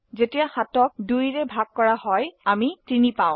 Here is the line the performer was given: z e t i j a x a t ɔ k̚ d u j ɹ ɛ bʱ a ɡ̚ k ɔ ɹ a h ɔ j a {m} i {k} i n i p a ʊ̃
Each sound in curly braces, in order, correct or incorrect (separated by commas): correct, incorrect